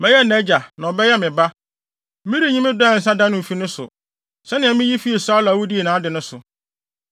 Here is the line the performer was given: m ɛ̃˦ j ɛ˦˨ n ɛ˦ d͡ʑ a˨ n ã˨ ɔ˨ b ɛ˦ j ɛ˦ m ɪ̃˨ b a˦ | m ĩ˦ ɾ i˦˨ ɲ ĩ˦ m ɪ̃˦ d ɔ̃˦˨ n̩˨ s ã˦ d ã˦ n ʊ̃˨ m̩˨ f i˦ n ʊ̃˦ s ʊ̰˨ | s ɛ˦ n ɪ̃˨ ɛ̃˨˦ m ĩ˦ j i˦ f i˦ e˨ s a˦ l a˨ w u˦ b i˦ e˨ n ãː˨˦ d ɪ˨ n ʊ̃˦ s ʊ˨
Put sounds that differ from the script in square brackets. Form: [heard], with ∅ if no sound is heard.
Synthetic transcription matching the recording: m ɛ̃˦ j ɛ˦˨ n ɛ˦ d͡ʑ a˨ n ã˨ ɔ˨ b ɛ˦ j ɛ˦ m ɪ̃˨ b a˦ | m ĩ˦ ɾ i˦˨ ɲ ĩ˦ m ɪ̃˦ d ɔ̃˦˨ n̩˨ s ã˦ d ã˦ n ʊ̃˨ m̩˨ f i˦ n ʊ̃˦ s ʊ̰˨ | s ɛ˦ n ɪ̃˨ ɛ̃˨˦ m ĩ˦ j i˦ f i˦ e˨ s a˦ l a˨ w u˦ [d] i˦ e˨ n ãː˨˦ d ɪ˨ n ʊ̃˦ s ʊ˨